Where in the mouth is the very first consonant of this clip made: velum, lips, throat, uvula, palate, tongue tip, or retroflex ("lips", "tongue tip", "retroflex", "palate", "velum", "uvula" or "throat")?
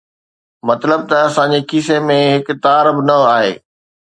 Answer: lips